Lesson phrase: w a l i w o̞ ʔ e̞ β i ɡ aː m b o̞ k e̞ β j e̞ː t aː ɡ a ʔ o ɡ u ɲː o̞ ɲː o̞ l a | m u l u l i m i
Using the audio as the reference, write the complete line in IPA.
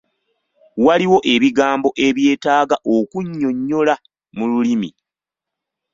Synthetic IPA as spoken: w a l i w o̞ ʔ e̞ β i ɡ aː m b o̞ ʔ e̞ β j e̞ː t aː ɡ a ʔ o k u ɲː o̞ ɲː o̞ l a | m u l u l i m i